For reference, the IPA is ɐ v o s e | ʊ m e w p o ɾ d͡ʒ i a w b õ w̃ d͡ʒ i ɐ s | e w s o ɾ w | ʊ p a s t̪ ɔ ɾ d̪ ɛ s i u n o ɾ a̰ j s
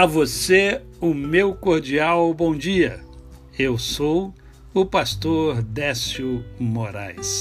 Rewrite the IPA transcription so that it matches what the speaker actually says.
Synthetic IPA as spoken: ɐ v o s e | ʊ m e w k o ɾ d͡ʒ i a w b õ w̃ d͡ʒ i ɐ | e w s o w | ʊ p a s t̪ o ɾ d̪ ɛ s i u m o ɾ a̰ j s